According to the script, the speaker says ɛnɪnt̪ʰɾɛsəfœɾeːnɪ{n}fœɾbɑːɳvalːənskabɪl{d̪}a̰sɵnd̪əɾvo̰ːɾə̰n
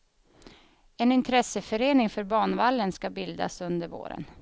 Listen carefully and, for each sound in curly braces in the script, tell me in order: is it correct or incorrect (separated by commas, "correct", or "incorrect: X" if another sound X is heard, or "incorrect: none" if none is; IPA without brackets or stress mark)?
incorrect: ŋ, correct